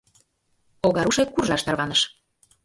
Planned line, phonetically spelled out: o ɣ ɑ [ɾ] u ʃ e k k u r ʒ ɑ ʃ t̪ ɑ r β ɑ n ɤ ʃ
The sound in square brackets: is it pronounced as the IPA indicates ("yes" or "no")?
yes